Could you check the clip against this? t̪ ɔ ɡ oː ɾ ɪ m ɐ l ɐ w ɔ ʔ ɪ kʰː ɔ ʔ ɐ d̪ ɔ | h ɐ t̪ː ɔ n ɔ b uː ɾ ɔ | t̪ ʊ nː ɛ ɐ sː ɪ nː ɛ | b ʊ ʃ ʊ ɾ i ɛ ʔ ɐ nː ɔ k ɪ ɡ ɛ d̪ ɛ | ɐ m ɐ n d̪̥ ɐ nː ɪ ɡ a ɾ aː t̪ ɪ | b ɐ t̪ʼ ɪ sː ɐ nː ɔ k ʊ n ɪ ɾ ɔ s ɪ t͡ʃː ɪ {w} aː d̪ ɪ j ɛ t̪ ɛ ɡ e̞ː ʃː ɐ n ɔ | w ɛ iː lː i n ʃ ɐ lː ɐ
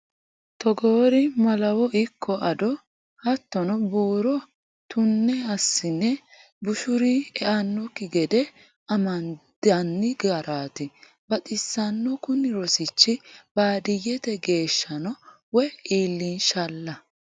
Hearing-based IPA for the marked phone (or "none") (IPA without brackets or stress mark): b